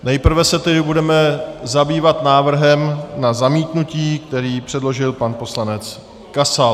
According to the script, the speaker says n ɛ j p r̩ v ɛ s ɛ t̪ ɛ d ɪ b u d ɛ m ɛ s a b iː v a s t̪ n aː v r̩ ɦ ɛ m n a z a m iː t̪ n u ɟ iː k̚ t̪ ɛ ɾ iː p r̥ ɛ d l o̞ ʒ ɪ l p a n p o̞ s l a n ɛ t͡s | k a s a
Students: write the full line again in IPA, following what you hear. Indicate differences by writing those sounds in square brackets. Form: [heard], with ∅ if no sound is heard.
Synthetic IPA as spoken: n ɛ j p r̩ v ɛ s ɛ t̪ ɛ d ɪ b u d ɛ m ɛ [z] a b iː v a [∅] t̪ n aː v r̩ ɦ ɛ m n a z a m iː t̪ n u [c] iː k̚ t̪ ɛ ɾ iː p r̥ ɛ d l o̞ ʒ ɪ l p a n p o̞ s l a n ɛ t͡s | k a s a